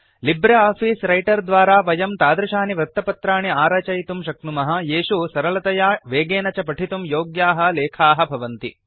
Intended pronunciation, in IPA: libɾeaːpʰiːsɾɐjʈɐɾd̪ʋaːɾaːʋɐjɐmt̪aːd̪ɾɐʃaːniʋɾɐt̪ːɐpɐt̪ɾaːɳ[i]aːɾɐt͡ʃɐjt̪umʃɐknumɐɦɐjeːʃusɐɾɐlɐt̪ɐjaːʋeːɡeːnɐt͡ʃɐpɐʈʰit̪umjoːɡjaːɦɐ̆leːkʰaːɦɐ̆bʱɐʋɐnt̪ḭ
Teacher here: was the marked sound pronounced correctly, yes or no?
yes